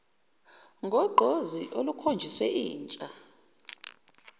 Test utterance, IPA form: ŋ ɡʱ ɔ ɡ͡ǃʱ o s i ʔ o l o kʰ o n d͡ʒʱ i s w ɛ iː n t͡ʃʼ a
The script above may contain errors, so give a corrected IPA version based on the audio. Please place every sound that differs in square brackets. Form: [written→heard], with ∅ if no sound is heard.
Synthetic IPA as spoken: ŋ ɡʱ ɔ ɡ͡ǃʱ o [s→z] i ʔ o l [o→u] kʰ o n d͡ʒʱ i s w ɛ iː n t͡ʃʼ a